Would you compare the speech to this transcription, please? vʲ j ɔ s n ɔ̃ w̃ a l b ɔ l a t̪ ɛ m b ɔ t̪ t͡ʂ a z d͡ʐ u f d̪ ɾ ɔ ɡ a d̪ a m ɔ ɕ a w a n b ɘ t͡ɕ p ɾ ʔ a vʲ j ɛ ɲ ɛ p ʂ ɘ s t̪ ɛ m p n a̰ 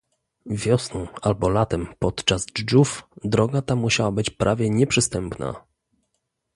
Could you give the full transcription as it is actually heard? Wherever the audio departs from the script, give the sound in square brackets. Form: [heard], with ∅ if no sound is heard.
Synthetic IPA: vʲ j ɔ s n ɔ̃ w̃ a l b ɔ l a t̪ ɛ m [p] ɔ t̪ t͡ʂ a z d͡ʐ u f d̪ ɾ ɔ ɡ a [t̪] a m [u] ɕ a w a [∅] b ɘ t͡ɕ p ɾ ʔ a vʲ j ɛ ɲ ɛ p ʂ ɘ s t̪ ɛ m p n a̰